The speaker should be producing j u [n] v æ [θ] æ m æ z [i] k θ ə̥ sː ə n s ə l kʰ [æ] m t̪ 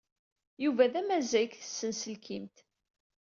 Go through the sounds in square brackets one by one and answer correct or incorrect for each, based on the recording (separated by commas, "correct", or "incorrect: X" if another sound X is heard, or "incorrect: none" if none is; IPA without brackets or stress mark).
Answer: incorrect: none, incorrect: ð, incorrect: æ, incorrect: i